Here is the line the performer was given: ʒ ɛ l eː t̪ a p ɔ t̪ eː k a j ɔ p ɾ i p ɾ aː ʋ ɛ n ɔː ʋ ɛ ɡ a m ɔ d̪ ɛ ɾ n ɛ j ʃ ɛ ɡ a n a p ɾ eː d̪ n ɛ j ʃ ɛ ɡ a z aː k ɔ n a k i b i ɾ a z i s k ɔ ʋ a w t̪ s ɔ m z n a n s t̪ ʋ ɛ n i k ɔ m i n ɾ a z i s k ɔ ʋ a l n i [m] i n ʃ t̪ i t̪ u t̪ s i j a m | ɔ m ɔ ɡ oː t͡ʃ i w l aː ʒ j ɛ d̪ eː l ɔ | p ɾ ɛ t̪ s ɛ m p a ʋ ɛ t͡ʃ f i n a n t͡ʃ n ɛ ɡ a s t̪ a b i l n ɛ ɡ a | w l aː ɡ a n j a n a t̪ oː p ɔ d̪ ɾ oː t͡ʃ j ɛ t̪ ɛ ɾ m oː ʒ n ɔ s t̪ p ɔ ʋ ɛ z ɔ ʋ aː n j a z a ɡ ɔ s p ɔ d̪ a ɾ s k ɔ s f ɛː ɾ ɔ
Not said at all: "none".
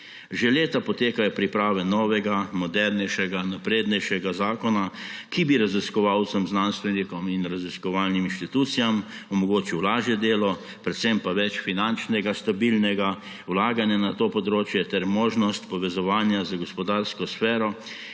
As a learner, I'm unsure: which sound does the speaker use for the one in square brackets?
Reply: m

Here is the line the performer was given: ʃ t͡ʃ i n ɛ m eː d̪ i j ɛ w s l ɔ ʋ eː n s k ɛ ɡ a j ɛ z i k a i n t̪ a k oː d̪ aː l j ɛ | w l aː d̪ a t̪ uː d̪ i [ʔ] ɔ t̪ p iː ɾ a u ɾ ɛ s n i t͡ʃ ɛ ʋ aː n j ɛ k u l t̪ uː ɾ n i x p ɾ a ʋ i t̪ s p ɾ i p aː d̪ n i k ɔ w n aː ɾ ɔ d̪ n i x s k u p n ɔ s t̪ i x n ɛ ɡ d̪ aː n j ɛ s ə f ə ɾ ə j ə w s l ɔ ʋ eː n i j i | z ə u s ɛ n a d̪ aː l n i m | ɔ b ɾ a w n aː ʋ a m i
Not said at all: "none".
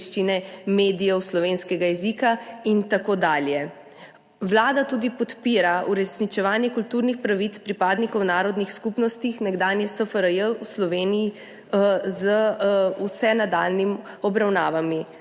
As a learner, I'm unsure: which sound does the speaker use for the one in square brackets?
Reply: p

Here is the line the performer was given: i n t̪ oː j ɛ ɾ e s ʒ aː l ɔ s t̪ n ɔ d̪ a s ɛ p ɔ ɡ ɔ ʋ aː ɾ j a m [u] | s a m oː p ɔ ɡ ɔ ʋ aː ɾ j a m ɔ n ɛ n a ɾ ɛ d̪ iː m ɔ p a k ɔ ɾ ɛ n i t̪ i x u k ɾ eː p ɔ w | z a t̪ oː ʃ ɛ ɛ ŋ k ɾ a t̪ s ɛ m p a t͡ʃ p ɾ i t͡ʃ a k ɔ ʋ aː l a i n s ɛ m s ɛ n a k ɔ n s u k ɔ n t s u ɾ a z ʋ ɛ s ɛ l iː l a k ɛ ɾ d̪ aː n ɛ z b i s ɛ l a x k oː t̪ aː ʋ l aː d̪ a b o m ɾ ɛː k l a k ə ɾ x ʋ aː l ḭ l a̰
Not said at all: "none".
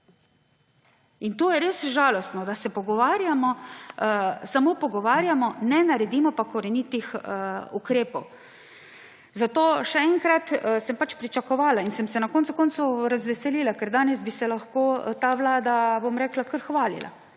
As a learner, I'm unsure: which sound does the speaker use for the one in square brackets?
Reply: ɔ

